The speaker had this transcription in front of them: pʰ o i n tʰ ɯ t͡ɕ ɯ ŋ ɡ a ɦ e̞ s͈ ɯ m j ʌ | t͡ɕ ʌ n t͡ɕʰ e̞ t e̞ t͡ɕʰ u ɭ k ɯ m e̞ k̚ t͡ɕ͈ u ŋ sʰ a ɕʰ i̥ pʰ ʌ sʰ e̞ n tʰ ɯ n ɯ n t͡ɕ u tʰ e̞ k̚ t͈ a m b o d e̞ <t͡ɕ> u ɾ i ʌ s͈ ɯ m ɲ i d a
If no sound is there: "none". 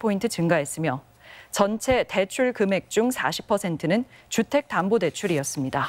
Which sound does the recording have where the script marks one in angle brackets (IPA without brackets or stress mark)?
t͡ɕʰ